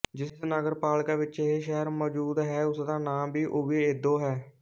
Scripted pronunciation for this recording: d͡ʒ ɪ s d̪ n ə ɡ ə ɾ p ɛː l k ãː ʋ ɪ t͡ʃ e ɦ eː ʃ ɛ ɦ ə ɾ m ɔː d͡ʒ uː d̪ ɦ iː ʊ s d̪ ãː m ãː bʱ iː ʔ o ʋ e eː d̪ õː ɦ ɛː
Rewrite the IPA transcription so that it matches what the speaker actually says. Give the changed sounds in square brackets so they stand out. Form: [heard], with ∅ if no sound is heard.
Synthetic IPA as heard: d͡ʒ ɪ s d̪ n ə ɡ ə ɾ p [aː] l k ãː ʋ ɪ t͡ʃ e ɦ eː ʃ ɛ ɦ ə ɾ m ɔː d͡ʒ uː d̪ ɦ [ɛː] ʊ s d̪ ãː [n] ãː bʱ iː ʔ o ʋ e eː d̪ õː ɦ ɛː